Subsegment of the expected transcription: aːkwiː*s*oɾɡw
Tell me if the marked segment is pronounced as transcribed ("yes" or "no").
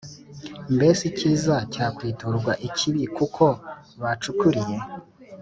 no